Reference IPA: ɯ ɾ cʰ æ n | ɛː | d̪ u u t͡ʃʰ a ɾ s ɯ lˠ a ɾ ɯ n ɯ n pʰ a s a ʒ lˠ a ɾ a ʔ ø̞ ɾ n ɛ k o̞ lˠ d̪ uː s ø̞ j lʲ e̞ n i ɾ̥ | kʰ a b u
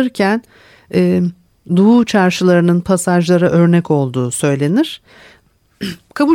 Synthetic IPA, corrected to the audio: ɯ ɾ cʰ æ n | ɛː | d̪ u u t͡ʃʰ a ɾ ʃ ɯ lˠ a ɾ ɯ n ɯ n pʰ a s a ʒ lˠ a ɾ a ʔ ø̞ ɾ n ɛ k o̞ lˠ d̪ uː s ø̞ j lʲ e̞ n i ɾ̥ | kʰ a b u